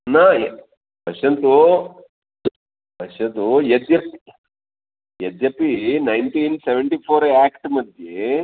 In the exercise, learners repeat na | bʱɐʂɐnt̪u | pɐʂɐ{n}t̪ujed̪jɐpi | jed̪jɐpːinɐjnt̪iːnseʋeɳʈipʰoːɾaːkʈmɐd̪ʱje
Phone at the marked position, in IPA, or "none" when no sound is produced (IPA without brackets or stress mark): n